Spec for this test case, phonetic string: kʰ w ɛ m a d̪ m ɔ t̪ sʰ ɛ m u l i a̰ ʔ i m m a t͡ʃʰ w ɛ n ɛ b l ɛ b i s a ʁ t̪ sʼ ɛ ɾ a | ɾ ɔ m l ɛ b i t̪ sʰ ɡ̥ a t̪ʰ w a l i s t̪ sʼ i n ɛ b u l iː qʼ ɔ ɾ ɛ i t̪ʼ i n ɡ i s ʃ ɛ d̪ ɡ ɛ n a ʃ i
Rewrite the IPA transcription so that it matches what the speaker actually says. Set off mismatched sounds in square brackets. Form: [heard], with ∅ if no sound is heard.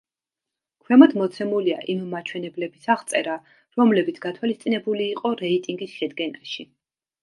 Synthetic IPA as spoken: kʰ w ɛ m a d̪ m ɔ t̪ sʰ ɛ m u l i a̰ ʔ i m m a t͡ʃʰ w ɛ n ɛ b l ɛ b i s a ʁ t̪ sʼ ɛ ɾ a | ɾ ɔ m l ɛ b i t̪ sʰ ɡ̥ a t̪ʰ w a l i s t̪ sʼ i n ɛ b u l iː qʼ ɔ ɾ ɛ i t̪ʼ i [ŋ] ɡ i s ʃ ɛ d̪ ɡ ɛ n a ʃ i